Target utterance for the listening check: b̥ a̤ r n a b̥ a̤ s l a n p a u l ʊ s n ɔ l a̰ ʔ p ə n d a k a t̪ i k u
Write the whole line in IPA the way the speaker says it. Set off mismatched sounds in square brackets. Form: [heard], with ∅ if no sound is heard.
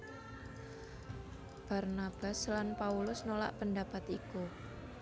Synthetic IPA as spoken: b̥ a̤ r n a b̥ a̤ s l a n p a u l ʊ s n [o] l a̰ ʔ p ə n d a [p] a t̪ i k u